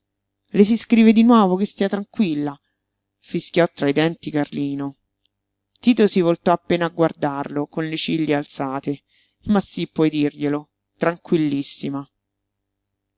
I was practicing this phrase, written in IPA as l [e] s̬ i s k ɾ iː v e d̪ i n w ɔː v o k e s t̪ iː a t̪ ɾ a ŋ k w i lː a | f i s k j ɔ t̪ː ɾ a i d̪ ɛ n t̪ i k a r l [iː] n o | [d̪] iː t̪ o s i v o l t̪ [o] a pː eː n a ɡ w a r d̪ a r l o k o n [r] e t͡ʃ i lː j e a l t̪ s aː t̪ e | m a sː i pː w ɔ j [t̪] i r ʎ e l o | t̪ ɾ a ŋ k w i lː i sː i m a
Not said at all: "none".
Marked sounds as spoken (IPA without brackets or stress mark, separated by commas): e, iː, t̪, ɔ, l, d̪